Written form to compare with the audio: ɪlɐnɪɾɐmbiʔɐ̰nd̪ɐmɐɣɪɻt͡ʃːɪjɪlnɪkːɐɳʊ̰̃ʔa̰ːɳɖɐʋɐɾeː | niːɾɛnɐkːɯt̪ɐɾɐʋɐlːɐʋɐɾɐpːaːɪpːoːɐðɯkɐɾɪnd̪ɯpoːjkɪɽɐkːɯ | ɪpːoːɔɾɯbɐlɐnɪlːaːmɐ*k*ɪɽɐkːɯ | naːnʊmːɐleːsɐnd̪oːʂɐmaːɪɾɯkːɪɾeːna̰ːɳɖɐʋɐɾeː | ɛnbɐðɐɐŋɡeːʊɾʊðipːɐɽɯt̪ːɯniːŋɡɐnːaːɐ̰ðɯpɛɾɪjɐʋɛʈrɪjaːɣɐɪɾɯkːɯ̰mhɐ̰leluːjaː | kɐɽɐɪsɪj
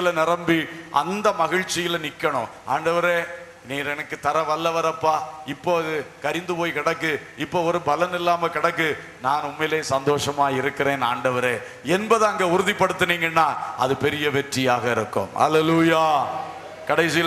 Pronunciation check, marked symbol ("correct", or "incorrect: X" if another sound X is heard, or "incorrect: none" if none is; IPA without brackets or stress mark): correct